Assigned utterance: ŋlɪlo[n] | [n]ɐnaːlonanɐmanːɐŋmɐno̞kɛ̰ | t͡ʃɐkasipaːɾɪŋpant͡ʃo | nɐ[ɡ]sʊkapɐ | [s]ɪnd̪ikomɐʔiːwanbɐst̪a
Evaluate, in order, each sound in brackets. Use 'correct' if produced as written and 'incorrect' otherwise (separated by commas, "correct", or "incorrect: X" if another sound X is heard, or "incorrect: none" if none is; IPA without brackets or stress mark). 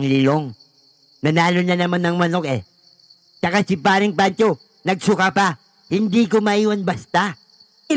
incorrect: ŋ, correct, correct, incorrect: h